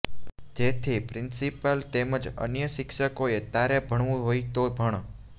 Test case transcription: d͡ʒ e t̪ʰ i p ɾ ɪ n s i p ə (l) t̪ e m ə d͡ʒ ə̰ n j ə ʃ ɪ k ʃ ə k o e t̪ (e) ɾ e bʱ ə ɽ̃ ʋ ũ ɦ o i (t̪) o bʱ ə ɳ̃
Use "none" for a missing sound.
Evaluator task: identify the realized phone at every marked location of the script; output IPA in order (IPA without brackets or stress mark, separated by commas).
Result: l, a, t̪